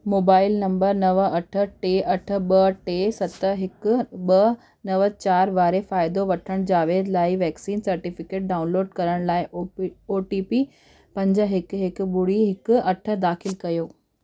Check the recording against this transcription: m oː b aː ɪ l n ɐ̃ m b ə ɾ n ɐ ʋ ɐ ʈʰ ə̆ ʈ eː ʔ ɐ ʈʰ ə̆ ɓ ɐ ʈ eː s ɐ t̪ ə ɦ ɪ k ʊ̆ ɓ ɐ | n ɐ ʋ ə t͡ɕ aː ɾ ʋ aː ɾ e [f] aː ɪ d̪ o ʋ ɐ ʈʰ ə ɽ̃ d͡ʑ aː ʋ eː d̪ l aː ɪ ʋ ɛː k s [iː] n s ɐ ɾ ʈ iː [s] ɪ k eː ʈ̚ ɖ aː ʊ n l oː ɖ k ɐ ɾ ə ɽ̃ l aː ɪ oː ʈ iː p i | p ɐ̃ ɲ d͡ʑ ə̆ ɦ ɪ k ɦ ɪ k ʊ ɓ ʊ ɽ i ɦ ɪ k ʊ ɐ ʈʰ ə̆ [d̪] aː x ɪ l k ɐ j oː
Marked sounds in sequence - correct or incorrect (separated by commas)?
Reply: correct, correct, incorrect, correct